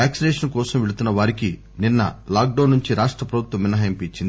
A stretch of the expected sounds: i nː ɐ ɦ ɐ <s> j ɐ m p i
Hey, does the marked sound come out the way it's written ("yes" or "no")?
no